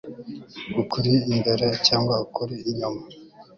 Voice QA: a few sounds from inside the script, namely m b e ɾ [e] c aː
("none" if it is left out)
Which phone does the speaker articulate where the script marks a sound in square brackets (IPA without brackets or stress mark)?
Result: e